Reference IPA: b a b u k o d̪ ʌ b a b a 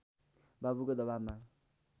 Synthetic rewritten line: b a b u k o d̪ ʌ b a m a